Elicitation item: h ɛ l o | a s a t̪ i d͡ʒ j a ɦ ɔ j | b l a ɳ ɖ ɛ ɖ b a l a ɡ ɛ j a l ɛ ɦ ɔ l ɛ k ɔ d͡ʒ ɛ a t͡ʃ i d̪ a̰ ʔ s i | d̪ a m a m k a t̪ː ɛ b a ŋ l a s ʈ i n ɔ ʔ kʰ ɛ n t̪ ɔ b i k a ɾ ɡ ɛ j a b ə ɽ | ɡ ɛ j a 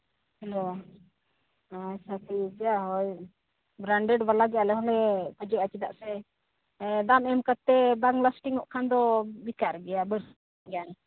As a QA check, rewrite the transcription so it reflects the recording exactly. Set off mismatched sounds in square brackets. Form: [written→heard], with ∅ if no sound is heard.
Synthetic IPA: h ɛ l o | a s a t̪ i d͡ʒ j a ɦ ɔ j | b [l→ɾ] a ɳ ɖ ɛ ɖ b a l a ɡ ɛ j a l ɛ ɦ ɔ l ɛ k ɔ d͡ʒ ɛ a t͡ʃ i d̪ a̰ ʔ s [i→ɛ] | d̪ a m [a→ɛ] m k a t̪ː ɛ b a ŋ l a s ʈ i [n→ŋ] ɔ ʔ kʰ [ɛ→a] n [t̪→d̪] ɔ b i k a ɾ ɡ ɛ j a b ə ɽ | ɡ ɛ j a